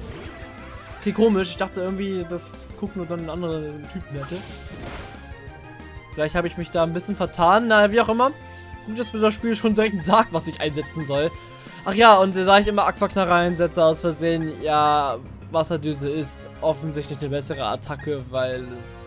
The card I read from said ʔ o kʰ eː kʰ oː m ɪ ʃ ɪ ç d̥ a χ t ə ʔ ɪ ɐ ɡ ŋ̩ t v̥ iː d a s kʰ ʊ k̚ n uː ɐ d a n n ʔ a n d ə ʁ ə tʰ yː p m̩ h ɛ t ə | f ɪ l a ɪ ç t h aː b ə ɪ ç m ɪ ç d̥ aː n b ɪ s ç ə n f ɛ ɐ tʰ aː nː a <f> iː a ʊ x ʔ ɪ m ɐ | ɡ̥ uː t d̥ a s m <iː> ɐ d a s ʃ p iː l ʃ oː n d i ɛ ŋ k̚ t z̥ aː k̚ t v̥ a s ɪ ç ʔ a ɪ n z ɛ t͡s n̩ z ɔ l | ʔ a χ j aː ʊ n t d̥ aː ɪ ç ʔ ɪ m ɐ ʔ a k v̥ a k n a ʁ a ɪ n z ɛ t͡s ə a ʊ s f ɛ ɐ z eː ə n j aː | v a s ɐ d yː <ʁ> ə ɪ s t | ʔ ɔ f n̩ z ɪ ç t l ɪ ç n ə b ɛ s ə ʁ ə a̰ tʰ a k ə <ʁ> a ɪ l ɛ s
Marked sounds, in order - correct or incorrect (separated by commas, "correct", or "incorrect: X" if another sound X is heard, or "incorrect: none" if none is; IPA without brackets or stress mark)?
incorrect: v, correct, incorrect: z, incorrect: v